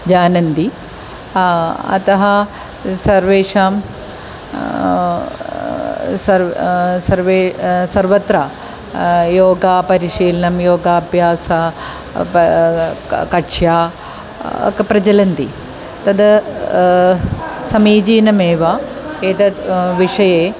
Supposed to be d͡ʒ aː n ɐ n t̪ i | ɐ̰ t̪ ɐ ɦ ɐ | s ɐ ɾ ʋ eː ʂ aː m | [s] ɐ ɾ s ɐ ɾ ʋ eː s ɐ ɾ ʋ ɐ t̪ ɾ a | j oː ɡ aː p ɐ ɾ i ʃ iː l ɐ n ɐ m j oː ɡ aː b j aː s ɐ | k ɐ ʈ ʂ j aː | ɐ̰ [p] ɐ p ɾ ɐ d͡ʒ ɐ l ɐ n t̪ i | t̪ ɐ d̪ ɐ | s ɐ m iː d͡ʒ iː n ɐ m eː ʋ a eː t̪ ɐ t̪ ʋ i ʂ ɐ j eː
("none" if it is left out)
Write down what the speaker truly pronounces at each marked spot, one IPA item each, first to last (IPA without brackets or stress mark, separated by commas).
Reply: s, k